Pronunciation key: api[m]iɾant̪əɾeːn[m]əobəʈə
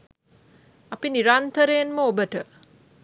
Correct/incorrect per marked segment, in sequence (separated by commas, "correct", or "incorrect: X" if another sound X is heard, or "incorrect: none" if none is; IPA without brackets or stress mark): incorrect: n, correct